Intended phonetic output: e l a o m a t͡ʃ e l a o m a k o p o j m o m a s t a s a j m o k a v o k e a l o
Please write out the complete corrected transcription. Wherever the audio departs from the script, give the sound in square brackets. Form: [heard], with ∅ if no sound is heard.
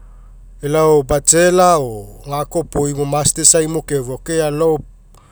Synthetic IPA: e l a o [b] a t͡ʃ e l a o [ŋ] a k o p o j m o m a s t [e] s a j m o k [e] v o k e a l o